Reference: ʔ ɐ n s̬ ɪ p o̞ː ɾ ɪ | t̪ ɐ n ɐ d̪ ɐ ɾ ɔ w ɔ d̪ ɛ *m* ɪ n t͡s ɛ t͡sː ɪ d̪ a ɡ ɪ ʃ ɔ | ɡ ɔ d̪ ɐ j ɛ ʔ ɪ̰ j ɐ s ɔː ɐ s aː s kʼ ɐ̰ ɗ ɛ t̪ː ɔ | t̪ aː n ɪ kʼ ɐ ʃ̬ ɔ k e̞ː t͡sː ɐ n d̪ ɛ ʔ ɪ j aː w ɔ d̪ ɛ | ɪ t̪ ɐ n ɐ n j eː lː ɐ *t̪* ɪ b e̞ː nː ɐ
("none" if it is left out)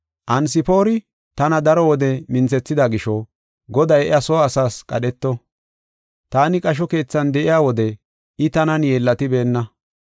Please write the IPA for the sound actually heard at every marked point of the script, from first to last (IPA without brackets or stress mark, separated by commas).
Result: m, t̪